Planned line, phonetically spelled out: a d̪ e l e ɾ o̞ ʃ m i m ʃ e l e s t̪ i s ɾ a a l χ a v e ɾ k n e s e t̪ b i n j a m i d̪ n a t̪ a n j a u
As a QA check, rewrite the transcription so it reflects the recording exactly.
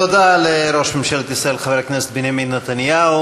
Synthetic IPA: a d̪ a l e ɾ o̞ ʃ m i m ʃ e l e t̪ i s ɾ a e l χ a v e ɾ k n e s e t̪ b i n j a m i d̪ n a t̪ a n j a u